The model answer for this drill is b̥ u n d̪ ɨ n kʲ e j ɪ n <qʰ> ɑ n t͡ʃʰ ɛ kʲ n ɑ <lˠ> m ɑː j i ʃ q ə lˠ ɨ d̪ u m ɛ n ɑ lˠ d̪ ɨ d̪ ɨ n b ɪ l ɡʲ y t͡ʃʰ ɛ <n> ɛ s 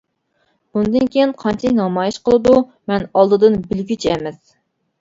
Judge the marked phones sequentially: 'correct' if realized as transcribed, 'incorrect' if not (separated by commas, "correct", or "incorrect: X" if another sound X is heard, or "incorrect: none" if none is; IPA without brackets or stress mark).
correct, incorrect: none, incorrect: m